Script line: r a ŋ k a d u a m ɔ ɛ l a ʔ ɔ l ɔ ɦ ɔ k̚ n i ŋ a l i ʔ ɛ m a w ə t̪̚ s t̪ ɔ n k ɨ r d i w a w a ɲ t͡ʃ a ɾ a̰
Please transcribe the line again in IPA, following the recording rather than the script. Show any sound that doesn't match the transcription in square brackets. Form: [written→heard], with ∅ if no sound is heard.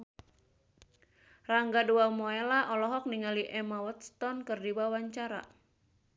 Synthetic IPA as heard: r a ŋ [k→ɡ] a d u a m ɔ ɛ l a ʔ ɔ l ɔ ɦ ɔ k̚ n i ŋ a l i ʔ ɛ m a w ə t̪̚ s t̪ ɔ n k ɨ r d i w a w a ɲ t͡ʃ a ɾ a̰